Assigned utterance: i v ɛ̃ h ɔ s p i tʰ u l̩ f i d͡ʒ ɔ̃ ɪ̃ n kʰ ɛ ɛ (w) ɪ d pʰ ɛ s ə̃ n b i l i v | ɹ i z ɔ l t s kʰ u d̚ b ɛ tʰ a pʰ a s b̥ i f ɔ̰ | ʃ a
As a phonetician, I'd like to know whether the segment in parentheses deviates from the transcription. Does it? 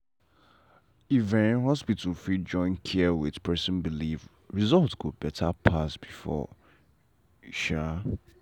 no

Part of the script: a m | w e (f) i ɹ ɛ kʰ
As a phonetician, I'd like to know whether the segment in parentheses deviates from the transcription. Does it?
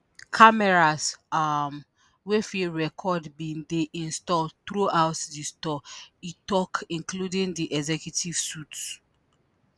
no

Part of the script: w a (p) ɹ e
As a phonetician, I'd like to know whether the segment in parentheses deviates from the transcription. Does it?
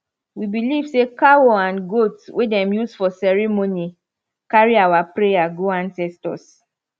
no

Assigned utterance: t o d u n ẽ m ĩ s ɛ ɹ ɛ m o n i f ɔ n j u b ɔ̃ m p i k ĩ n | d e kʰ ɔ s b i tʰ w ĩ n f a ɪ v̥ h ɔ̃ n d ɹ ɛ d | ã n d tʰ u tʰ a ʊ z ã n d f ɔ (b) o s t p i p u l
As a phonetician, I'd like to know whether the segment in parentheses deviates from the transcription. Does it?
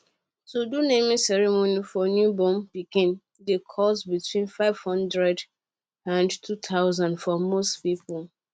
yes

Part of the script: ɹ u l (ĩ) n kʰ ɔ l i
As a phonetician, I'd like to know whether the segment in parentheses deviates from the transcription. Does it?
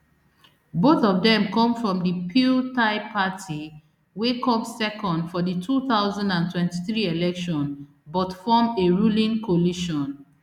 no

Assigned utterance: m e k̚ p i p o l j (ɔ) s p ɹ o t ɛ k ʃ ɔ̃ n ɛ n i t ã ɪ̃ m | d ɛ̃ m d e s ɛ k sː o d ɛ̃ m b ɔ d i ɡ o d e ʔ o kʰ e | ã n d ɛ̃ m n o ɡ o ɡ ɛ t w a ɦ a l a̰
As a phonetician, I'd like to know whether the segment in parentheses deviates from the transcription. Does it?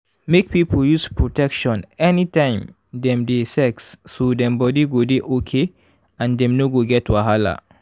yes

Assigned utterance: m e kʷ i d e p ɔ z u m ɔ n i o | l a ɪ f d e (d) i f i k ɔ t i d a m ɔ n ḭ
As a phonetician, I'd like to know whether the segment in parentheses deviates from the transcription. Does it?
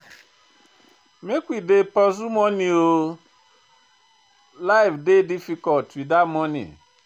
no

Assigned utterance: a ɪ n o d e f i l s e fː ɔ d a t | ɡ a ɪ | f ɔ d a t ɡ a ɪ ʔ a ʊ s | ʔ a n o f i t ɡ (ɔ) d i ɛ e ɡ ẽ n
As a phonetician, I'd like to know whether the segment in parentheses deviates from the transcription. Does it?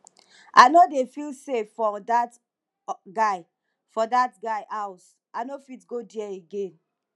yes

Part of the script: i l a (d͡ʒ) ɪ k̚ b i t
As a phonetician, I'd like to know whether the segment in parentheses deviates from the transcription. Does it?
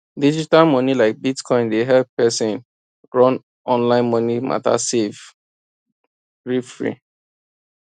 yes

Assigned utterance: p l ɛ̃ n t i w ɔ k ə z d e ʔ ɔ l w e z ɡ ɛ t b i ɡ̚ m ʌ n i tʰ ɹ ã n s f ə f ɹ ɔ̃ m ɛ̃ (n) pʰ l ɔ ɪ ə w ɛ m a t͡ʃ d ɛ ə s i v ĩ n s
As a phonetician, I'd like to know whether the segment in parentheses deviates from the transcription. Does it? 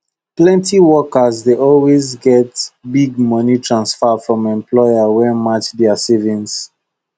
yes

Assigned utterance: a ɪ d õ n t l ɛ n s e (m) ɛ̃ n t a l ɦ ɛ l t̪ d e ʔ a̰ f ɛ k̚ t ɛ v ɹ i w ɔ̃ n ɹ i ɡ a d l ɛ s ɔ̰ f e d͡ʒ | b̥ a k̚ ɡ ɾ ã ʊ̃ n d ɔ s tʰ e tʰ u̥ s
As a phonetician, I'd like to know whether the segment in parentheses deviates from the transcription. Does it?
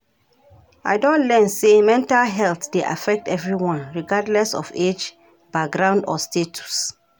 no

